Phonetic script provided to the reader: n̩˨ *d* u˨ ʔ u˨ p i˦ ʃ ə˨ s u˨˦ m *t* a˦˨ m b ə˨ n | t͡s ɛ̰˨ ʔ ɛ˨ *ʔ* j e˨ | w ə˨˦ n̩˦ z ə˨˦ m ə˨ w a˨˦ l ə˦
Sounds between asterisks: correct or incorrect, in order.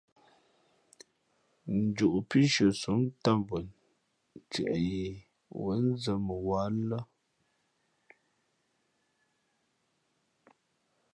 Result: incorrect: d͡ʒ, correct, incorrect: none

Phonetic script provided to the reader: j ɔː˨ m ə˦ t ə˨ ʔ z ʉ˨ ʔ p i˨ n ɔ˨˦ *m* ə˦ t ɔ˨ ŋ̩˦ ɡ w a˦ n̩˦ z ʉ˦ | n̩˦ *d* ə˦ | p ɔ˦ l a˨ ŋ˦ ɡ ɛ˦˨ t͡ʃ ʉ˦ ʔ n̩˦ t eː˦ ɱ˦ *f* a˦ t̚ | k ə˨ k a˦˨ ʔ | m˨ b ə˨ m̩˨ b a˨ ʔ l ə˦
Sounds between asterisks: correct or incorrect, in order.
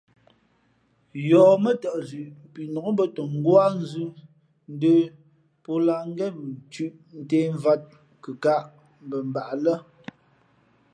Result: incorrect: b, correct, incorrect: v

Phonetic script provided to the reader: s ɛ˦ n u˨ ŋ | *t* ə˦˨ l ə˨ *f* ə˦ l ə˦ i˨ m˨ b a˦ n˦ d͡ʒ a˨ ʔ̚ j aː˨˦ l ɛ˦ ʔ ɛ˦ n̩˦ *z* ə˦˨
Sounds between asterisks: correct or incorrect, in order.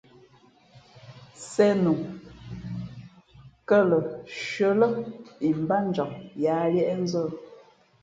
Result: incorrect: k, incorrect: ʃ, correct

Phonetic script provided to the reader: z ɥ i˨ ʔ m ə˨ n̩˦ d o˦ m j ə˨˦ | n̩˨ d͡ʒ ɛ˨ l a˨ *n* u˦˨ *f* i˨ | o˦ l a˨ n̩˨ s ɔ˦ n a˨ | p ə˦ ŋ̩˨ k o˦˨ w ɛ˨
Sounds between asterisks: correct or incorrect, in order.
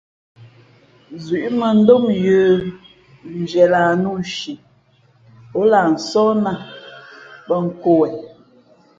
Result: correct, incorrect: ʃ

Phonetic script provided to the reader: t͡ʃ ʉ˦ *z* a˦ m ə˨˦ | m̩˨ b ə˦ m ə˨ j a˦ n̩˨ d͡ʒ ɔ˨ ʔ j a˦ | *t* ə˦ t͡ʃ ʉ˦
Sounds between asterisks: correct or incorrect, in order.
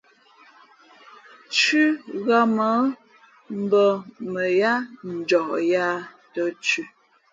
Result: incorrect: ɣ, correct

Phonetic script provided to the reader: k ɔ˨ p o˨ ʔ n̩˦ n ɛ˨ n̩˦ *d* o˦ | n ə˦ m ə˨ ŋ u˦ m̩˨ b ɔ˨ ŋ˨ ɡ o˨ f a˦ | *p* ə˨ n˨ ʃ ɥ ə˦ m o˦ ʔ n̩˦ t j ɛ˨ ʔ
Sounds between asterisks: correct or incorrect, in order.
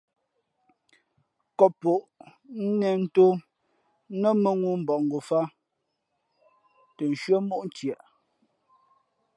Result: incorrect: t, incorrect: t

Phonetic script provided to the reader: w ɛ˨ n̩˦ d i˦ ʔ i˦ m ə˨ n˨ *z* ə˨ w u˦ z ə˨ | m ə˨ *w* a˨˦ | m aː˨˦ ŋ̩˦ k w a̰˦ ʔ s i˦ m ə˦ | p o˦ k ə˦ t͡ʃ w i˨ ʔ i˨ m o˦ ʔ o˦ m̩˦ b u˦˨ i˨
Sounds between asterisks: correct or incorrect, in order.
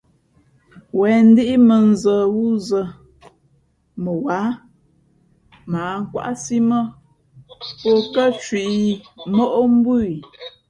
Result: correct, correct

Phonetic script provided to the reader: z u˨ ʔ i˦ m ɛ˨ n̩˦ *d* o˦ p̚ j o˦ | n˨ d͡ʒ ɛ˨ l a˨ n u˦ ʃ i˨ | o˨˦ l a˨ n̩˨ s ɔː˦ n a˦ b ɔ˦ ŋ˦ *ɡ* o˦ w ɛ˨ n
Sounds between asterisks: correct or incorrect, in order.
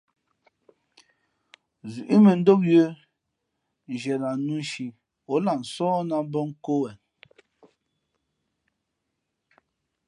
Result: correct, incorrect: k

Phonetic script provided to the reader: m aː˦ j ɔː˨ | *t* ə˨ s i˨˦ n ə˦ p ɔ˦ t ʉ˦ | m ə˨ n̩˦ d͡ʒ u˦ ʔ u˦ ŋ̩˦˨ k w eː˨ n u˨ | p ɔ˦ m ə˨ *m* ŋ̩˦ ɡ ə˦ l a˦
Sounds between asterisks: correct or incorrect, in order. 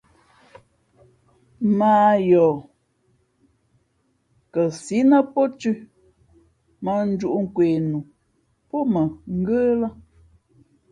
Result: incorrect: k, incorrect: none

